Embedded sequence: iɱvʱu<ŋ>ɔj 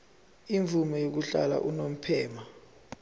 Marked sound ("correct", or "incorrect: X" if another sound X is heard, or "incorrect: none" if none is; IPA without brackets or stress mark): incorrect: m